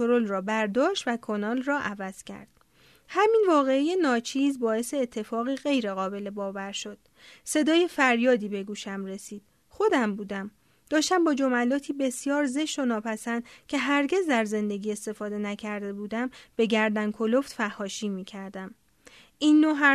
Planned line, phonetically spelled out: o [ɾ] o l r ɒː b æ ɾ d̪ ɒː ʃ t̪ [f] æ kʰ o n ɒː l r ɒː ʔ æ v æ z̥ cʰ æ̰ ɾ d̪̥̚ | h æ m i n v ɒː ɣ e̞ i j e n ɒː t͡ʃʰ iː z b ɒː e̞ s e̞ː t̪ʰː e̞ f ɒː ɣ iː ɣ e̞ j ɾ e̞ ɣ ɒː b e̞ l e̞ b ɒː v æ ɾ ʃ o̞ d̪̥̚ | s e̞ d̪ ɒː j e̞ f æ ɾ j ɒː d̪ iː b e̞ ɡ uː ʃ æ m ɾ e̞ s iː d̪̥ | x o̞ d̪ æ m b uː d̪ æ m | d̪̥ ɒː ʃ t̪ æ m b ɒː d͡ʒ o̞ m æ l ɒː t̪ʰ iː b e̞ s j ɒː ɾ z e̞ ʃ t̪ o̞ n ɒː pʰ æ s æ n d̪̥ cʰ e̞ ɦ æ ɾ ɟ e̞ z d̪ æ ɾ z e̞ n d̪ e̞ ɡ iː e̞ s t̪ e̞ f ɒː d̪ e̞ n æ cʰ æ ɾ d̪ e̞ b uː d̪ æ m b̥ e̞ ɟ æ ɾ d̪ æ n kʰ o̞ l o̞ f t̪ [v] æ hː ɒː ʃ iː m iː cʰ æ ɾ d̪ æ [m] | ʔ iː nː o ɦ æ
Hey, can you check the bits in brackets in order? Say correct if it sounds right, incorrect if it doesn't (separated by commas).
correct, incorrect, incorrect, correct